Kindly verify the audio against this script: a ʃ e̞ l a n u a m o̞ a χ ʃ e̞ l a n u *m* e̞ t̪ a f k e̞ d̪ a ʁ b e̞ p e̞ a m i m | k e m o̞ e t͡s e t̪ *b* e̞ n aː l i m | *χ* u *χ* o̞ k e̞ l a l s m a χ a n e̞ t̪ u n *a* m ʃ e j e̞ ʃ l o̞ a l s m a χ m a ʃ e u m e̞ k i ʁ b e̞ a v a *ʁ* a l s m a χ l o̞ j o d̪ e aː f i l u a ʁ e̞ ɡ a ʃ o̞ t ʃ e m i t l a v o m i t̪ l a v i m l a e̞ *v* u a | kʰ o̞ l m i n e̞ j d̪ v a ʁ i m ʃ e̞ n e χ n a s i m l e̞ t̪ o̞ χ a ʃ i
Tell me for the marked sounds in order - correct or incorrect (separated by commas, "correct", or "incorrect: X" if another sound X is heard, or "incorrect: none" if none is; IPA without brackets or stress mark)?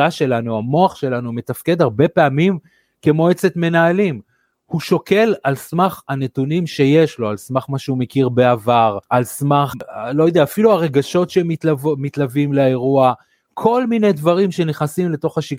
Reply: correct, incorrect: m, incorrect: h, incorrect: ʃ, incorrect: i, correct, incorrect: ʁ